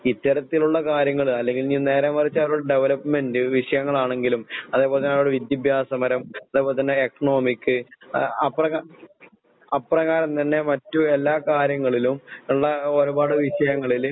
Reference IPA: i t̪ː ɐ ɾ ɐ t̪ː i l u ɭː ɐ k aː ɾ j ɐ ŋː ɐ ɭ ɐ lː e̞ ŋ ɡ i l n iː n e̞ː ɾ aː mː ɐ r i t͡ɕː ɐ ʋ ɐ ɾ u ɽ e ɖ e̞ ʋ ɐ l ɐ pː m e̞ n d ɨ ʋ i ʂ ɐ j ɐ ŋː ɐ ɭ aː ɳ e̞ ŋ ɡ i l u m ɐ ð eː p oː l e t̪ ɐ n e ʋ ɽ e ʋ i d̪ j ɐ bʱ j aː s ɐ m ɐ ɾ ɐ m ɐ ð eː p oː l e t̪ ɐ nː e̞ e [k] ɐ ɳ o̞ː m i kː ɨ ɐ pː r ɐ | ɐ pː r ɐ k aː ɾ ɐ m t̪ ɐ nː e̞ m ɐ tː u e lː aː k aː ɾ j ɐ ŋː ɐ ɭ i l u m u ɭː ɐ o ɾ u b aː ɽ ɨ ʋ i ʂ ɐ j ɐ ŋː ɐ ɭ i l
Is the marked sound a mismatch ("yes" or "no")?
no